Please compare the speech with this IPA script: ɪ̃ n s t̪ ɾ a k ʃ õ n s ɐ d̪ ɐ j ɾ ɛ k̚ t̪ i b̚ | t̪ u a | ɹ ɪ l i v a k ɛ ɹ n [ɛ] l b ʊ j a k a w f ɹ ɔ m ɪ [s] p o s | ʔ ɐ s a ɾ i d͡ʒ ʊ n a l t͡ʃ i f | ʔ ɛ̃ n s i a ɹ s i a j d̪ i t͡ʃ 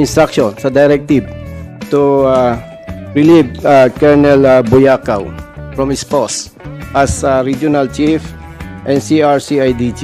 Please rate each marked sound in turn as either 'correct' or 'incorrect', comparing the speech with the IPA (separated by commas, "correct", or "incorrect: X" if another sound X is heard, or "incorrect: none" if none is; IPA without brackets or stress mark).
correct, correct